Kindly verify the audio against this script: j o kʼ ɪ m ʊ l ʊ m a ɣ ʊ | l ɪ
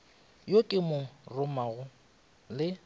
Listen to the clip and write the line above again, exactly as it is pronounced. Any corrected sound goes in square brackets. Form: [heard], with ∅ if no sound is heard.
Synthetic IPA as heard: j o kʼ ɪ m ʊ [r] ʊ m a ɣ ʊ | l ɪ